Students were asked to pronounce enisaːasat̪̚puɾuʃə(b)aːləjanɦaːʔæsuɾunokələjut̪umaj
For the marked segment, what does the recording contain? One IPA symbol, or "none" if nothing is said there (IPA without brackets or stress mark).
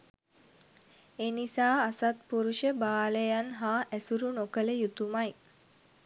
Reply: b